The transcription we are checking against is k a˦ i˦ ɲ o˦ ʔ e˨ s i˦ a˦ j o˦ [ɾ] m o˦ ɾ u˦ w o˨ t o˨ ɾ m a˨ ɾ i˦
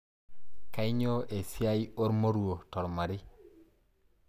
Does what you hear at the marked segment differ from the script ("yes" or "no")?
no